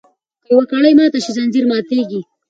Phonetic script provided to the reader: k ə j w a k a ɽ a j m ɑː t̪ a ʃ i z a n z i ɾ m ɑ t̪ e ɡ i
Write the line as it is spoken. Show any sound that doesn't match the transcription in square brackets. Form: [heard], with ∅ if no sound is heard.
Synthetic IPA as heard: k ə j w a k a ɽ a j m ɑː t̪ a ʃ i z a n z i ɾ m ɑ t̪ e ɡ i